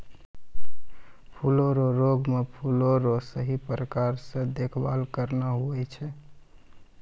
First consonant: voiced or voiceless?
voiceless